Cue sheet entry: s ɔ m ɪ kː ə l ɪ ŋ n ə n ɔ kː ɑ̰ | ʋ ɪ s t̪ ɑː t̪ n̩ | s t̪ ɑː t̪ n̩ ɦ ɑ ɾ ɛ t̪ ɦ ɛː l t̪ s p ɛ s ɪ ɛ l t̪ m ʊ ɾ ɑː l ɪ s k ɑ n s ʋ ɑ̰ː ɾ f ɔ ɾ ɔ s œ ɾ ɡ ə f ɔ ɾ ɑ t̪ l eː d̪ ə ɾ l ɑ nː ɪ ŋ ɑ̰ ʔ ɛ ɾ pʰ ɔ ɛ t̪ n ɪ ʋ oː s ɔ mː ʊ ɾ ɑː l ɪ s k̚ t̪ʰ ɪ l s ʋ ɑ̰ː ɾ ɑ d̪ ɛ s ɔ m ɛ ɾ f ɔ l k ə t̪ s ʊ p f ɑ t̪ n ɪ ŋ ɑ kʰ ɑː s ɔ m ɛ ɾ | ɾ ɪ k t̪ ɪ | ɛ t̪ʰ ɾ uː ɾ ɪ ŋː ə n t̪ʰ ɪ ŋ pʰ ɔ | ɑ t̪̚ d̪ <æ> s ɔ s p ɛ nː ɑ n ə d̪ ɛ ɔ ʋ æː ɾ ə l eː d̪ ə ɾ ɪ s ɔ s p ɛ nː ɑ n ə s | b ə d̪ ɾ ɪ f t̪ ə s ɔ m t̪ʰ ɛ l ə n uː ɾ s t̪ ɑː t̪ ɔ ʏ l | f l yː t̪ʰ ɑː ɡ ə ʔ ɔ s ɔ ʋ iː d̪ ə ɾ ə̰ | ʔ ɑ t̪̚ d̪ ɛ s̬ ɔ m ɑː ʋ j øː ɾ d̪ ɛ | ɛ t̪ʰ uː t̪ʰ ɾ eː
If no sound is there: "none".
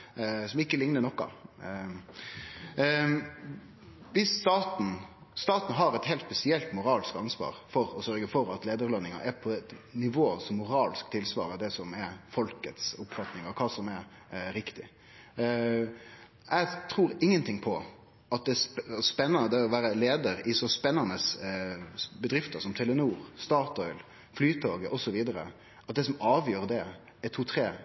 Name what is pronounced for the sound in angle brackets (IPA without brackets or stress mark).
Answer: ɛ